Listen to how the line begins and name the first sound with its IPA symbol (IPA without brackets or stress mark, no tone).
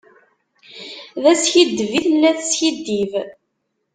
ð